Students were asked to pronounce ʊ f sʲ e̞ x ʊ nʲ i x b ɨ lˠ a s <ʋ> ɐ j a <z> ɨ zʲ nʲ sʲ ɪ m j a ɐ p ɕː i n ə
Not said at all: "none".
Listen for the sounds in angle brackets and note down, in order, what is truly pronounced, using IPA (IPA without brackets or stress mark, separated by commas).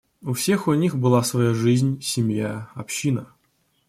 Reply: v, ʐ